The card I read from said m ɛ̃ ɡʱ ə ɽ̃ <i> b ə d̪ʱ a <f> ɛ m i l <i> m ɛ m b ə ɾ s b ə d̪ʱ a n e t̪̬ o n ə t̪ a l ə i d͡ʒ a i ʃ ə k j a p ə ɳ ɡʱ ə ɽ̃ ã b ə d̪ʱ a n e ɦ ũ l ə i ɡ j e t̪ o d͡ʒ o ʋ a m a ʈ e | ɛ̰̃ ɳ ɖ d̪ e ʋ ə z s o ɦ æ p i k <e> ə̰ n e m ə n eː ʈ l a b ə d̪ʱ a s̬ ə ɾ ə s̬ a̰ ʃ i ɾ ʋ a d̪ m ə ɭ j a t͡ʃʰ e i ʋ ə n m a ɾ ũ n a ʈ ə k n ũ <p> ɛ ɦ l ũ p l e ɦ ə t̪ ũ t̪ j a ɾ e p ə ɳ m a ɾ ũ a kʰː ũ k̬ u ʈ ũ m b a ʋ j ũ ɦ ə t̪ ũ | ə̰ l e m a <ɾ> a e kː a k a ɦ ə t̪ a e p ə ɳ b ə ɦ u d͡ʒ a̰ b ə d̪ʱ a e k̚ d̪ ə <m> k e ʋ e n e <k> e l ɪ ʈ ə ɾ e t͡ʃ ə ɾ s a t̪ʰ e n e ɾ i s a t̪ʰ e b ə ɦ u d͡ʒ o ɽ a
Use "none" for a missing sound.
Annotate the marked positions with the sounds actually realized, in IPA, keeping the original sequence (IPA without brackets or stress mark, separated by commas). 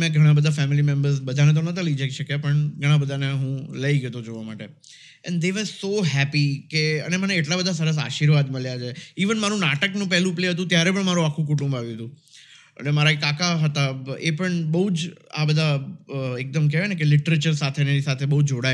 a, f, i, e, p, ɾ, m, k